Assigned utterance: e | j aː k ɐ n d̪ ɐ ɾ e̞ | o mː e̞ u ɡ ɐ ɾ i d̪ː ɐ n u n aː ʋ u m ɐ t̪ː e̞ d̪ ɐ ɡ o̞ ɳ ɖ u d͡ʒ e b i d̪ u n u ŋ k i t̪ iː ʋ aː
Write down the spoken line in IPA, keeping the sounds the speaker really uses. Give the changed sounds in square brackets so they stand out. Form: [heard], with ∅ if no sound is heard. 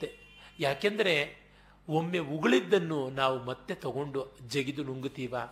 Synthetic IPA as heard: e | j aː k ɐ n d̪ ɐ ɾ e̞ | o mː e̞ u ɡ ɐ [ɭ] i d̪ː ɐ [nː] u n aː ʋ u m ɐ t̪ː e̞ [t̪] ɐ ɡ o̞ ɳ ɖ u d͡ʒ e [ɡ] i d̪ u n u ŋ [ɡ] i t̪ iː ʋ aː